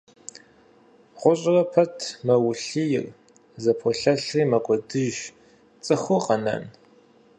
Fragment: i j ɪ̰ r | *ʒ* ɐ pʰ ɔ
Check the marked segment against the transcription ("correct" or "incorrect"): incorrect